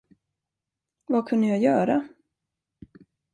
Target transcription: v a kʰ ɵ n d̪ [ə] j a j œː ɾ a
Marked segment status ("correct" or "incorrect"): correct